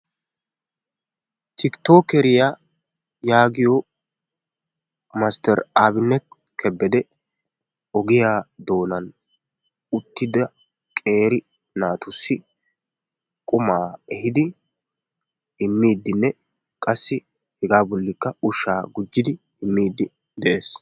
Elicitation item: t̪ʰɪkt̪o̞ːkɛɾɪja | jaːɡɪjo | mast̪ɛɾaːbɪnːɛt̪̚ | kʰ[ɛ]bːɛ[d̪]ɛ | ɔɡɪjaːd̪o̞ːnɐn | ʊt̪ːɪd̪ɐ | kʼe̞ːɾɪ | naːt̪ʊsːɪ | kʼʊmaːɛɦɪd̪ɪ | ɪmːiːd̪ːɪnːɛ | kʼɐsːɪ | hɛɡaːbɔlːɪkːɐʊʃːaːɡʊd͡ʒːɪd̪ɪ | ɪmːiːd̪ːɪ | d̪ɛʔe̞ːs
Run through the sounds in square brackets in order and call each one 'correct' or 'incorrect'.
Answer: correct, correct

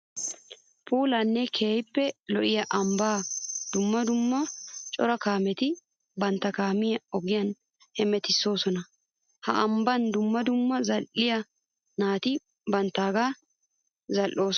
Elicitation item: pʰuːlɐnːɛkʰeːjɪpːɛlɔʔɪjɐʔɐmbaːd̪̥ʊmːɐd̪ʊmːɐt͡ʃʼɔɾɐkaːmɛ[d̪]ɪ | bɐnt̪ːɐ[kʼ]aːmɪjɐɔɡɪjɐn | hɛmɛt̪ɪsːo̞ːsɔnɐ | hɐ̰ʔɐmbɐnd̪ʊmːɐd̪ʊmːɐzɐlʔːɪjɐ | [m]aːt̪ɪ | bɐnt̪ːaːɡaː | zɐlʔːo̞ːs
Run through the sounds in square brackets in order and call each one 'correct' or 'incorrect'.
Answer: incorrect, incorrect, incorrect

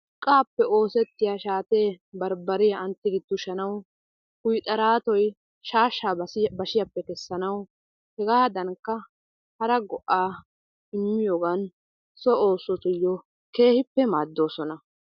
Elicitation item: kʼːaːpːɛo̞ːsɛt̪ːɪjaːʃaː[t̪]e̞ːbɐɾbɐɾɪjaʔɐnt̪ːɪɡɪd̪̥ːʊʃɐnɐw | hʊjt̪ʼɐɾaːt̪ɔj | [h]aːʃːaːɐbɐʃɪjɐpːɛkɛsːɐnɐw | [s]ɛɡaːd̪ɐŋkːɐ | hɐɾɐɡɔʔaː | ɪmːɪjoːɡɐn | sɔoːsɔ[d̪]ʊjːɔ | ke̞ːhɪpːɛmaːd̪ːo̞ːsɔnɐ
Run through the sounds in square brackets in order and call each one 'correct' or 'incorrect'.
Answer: correct, incorrect, incorrect, incorrect

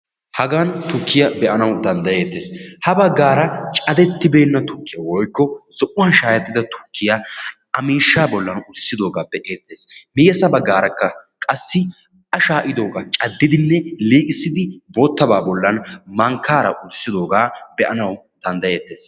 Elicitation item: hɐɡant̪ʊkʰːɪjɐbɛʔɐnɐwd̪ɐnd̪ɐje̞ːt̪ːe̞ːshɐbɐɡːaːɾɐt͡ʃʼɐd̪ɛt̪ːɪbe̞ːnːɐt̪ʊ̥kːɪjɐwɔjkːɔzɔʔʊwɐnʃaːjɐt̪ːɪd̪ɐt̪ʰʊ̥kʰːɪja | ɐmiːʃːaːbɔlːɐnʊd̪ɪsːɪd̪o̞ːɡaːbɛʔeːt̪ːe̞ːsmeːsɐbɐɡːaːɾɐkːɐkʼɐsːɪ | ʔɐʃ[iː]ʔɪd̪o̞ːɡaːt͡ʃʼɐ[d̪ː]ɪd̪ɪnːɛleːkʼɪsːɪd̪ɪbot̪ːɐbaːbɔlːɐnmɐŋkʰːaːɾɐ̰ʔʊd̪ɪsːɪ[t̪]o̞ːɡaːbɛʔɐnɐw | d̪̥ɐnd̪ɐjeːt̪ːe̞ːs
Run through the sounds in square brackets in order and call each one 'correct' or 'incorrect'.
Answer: incorrect, correct, incorrect

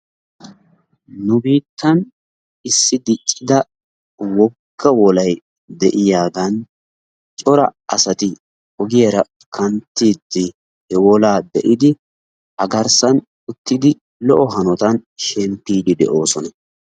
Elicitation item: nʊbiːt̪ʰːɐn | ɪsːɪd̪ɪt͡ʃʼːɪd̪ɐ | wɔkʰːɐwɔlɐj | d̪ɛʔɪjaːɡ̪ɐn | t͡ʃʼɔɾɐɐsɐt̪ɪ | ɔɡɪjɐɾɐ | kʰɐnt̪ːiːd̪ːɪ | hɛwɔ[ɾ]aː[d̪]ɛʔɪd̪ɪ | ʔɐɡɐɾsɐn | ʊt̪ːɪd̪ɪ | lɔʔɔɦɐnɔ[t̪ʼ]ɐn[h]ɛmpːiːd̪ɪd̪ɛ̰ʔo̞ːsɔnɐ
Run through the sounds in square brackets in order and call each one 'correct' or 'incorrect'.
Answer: incorrect, correct, incorrect, incorrect

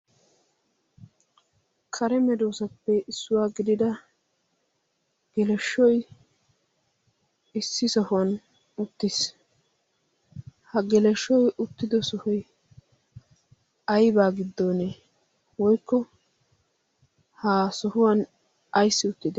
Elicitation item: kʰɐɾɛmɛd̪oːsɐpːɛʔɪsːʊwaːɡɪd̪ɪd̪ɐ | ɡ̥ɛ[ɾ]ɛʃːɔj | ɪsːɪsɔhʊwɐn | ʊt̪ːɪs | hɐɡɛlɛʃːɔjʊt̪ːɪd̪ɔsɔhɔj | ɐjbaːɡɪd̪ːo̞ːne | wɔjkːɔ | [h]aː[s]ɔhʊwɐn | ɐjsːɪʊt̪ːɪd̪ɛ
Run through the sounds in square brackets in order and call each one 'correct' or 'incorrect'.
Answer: incorrect, correct, correct

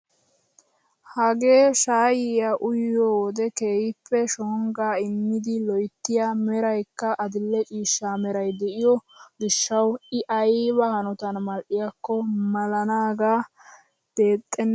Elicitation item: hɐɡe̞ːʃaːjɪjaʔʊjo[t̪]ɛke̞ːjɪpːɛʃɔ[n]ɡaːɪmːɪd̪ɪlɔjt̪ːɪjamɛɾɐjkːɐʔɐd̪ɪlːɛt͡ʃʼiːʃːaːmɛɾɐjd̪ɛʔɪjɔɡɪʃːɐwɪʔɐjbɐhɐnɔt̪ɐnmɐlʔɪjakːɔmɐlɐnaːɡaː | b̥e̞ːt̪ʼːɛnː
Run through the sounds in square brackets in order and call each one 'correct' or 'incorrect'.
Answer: incorrect, incorrect

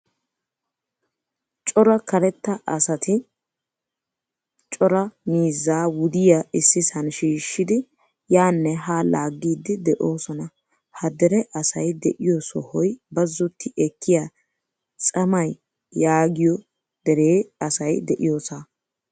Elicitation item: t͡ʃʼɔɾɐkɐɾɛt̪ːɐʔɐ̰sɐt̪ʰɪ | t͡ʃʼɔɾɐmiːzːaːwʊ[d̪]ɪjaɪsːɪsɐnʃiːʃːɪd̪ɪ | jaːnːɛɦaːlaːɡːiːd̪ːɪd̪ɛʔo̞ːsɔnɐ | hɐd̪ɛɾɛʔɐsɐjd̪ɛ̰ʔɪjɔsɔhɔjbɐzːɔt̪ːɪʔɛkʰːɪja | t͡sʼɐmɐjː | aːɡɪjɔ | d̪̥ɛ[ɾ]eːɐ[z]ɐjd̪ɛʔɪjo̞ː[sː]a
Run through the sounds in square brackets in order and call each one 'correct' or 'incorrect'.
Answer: correct, correct, incorrect, incorrect

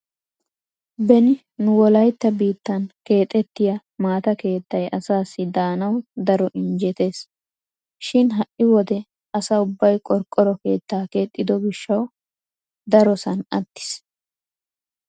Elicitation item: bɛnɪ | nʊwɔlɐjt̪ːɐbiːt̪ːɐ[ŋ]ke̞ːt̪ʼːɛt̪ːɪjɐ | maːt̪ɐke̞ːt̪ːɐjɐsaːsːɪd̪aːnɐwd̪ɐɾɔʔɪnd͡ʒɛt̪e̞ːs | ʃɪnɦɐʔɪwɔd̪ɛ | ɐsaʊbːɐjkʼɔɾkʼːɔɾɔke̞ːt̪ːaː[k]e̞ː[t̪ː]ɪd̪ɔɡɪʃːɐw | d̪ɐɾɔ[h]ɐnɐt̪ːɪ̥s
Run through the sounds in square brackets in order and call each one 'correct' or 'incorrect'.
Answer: incorrect, correct, incorrect, incorrect

